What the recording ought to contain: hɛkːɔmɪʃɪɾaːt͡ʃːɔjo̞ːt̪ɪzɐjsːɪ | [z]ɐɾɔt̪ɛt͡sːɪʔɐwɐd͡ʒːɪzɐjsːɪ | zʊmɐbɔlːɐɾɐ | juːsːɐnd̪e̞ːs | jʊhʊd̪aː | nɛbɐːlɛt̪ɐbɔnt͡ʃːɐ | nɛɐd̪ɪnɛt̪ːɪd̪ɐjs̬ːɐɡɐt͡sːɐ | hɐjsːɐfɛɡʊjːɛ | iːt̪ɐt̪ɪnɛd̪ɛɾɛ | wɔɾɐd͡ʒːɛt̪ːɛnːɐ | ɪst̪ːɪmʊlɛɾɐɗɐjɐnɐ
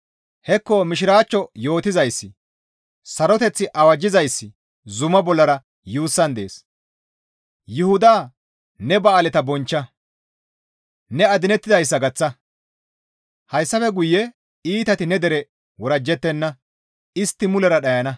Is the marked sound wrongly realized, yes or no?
yes